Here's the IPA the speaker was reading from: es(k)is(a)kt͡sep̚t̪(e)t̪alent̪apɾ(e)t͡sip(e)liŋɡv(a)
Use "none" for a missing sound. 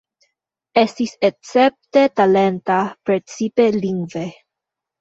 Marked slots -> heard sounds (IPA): t, e, e, e, e, e

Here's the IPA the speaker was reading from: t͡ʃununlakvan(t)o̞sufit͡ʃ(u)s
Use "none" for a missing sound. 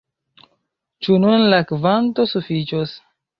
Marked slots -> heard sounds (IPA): t, o

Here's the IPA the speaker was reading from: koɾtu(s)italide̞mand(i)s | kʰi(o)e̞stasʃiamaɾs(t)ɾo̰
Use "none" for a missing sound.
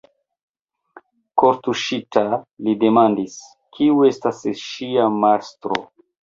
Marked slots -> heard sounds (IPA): ʃ, i, u, t

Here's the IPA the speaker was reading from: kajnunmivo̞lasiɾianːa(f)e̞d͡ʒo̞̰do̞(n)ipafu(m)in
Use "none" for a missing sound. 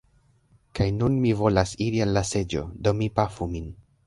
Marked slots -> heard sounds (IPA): s, m, m

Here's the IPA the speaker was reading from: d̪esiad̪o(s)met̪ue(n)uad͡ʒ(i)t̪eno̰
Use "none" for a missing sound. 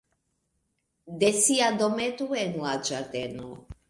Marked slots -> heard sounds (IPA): none, n, a

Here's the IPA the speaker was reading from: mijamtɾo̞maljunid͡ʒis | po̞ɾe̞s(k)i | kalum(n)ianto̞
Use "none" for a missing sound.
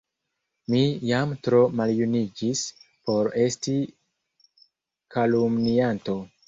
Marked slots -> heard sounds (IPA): t, n

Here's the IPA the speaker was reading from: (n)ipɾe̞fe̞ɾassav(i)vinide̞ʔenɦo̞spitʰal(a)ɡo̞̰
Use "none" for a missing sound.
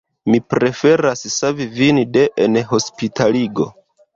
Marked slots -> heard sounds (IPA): m, i, i

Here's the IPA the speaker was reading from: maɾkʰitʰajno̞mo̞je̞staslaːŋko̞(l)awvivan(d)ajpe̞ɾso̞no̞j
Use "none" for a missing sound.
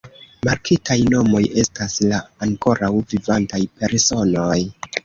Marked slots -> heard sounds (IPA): ɾ, t

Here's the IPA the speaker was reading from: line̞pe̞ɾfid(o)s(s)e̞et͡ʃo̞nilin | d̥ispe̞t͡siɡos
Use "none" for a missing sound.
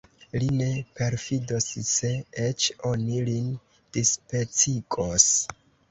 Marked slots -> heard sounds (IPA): o, s

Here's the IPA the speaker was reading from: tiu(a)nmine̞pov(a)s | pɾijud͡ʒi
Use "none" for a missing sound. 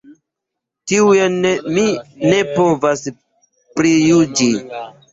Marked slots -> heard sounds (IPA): e, a

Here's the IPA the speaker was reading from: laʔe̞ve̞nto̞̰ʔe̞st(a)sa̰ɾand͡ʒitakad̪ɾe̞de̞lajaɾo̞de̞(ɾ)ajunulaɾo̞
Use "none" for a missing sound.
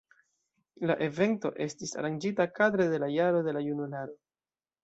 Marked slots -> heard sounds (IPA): i, l

